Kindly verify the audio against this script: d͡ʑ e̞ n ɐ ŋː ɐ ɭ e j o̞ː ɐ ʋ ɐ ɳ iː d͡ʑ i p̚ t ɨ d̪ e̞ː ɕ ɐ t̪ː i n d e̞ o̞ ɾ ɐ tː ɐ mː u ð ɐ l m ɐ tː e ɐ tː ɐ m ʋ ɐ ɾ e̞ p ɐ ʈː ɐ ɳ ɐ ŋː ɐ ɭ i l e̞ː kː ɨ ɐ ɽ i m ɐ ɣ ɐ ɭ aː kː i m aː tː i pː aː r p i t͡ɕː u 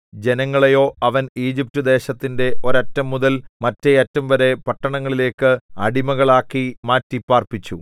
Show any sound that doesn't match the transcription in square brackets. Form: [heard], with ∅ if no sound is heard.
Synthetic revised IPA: d͡ʑ e̞ n ɐ ŋː ɐ ɭ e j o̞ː ɐ ʋ ɐ [n] iː d͡ʑ i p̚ t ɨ d̪ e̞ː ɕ ɐ t̪ː i n d e̞ o̞ ɾ ɐ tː ɐ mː u ð ɐ l m ɐ tː e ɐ tː ɐ m ʋ ɐ ɾ e̞ p ɐ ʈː ɐ ɳ ɐ ŋː ɐ ɭ i l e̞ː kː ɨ ɐ ɽ i m ɐ ɣ ɐ ɭ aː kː i m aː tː i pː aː r p i t͡ɕː u